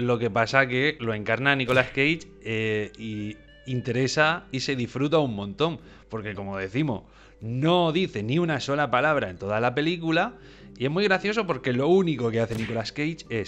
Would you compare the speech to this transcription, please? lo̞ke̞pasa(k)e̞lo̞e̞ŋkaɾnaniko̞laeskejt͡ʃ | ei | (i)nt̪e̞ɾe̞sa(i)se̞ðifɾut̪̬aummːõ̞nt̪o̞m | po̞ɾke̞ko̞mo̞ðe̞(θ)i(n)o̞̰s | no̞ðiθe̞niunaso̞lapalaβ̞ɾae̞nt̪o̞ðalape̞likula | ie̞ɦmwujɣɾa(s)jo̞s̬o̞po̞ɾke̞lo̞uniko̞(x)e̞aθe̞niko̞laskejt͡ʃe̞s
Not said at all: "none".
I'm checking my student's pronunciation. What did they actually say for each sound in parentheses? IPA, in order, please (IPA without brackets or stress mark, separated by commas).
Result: k, i, i, θ, m, θ, k